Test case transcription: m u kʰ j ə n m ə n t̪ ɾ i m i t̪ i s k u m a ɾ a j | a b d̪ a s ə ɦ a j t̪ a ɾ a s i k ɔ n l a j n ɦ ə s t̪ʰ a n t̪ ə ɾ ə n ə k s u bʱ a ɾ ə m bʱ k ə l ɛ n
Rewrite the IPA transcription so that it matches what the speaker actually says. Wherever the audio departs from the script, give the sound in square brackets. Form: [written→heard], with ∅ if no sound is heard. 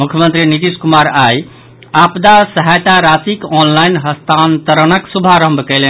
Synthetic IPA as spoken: m u kʰ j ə [n→∅] m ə n t̪ ɾ i [m→n] i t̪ i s k u m a ɾ a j | a [b→p] d̪ a s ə ɦ a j t̪ a ɾ a s i k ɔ n l a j n ɦ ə s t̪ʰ a n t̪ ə ɾ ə n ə k s u bʱ a ɾ ə m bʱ k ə l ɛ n